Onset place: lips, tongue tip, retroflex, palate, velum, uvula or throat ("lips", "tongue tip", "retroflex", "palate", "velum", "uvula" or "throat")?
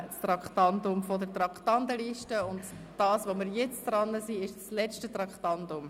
tongue tip